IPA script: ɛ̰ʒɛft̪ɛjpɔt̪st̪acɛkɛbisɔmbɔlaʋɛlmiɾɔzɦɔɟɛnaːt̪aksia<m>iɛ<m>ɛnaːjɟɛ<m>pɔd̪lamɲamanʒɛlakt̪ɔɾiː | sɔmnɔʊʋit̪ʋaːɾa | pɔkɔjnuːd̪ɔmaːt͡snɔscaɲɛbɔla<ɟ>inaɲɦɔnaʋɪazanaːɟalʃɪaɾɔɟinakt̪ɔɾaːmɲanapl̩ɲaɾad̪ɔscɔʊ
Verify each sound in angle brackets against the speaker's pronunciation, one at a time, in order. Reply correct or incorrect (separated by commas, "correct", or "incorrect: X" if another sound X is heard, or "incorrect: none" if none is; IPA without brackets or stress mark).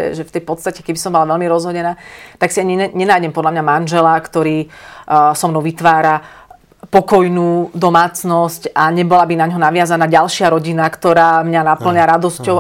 incorrect: ɲ, incorrect: ɲ, correct, incorrect: b